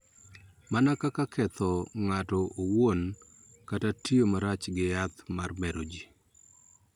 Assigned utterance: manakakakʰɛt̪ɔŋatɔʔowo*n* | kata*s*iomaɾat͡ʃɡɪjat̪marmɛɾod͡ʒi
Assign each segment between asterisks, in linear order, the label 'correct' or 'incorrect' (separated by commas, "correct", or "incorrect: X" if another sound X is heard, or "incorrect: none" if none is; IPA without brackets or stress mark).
correct, incorrect: t